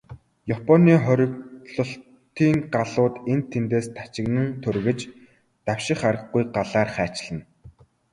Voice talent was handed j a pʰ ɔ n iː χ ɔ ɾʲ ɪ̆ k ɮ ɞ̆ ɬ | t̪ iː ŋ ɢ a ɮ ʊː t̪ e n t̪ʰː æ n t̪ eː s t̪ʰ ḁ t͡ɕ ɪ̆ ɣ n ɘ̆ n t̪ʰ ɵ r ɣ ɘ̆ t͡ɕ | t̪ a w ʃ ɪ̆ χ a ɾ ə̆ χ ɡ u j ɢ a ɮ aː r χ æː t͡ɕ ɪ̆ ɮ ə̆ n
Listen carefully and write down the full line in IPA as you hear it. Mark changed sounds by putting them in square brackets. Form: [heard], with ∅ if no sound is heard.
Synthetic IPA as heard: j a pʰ ɔ n iː χ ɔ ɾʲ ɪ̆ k ɮ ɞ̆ ɬ | t̪ iː ŋ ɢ a ɮ ʊː t̪ e n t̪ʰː [e] n t̪ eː s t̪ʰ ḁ t͡ɕ ɪ̆ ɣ n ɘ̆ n t̪ʰ ɵ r ɣ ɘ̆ t͡ɕ | t̪ a w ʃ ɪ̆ χ a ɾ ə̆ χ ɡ u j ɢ a ɮ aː r χ æː t͡ɕ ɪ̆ ɮ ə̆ n